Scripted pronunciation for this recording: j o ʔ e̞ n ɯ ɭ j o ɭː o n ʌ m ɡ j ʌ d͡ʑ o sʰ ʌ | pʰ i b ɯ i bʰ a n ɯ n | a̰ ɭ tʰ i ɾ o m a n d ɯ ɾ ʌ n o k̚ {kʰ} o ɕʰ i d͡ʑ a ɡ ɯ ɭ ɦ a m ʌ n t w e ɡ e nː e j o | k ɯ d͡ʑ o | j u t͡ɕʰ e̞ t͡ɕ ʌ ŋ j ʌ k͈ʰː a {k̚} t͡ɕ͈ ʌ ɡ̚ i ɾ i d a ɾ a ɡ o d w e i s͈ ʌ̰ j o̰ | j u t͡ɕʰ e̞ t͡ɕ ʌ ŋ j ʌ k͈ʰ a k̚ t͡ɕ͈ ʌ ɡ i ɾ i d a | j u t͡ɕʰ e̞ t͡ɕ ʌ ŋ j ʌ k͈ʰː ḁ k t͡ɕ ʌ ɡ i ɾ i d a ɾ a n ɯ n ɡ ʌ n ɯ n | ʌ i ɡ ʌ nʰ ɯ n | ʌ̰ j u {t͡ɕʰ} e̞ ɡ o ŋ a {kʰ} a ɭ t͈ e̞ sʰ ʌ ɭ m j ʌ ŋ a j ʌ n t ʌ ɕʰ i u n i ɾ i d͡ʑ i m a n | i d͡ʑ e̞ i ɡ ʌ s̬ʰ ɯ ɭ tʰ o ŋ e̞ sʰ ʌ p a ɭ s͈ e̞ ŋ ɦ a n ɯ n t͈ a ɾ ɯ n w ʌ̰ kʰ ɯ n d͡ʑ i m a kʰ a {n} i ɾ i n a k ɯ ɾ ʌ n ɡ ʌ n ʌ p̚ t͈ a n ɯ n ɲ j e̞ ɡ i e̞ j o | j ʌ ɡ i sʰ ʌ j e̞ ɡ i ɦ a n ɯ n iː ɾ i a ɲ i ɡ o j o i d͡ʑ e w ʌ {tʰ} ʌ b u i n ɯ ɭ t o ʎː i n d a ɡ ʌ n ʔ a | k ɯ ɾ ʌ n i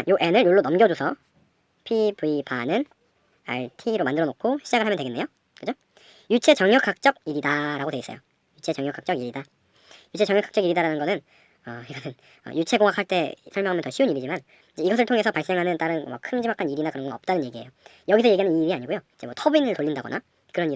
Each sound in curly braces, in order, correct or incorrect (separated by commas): correct, correct, correct, correct, correct, correct